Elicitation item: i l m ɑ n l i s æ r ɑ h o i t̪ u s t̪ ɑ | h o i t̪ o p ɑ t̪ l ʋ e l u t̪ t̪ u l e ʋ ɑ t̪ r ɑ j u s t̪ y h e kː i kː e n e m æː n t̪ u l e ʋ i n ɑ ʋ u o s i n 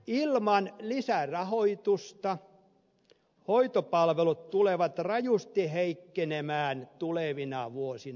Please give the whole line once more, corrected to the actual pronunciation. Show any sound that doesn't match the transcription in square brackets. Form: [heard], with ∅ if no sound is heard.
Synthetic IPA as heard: i l m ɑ n l i s æ r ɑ h o i t̪ u s t̪ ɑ | h o i t̪ o p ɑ [∅] l ʋ e l u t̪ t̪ u l e ʋ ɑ t̪ r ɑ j u s t̪ [i] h e [∅] i kː e n e m æː n t̪ u l e ʋ i n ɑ ʋ u o s i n